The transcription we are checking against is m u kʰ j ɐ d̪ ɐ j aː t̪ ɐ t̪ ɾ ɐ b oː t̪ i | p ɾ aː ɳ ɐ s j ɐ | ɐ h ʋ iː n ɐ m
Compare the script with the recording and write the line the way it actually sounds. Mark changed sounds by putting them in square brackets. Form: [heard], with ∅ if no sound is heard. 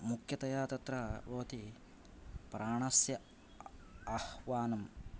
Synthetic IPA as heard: m u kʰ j ɐ [t̪] ɐ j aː t̪ ɐ t̪ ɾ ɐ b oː t̪ i | p ɾ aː ɳ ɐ s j ɐ | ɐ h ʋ [aː] n ɐ m